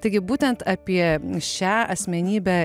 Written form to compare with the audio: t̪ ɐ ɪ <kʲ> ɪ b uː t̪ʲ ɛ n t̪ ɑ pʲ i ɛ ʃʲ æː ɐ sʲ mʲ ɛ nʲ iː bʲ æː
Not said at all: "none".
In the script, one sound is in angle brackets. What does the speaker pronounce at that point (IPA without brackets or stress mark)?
ɡʲ